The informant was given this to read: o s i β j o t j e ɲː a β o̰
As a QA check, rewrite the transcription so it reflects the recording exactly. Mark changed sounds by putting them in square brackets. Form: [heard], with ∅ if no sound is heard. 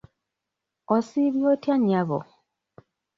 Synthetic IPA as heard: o s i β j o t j [a] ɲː a β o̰